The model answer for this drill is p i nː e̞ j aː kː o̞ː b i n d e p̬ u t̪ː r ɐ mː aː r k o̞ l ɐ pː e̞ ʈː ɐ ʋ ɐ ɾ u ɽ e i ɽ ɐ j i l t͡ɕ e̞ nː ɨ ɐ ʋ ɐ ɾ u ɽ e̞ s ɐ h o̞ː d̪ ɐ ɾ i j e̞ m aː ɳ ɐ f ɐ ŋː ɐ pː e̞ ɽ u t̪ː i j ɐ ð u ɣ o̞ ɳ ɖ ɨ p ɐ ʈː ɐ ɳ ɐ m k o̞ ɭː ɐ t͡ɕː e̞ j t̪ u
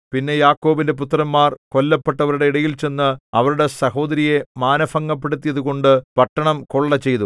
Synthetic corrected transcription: p i nː e̞ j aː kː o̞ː b i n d e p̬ u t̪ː r ɐ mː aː r k o̞ lː ɐ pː e̞ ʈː ɐ ʋ ɐ ɾ u ɽ e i ɽ ɐ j i l t͡ɕ e̞ nː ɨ ɐ ʋ ɐ ɾ u ɽ e̞ s ɐ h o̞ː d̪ ɐ ɾ i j e̞ m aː n ɐ f ɐ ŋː ɐ pː e̞ ɽ u t̪ː i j ɐ ð u ɣ o̞ ɳ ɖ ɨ p ɐ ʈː ɐ ɳ ɐ m k o̞ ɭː ɐ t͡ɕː e̞ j t̪ u